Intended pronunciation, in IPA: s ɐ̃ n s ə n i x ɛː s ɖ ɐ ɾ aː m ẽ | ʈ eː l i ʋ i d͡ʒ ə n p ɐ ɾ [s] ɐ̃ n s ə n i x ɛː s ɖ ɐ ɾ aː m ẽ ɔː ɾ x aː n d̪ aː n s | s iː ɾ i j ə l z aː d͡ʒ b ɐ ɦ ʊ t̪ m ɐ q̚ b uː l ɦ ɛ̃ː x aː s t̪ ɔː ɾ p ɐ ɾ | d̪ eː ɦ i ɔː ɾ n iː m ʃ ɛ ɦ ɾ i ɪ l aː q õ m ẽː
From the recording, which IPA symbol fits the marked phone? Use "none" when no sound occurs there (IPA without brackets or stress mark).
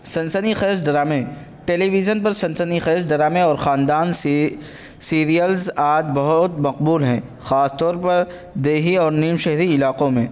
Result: s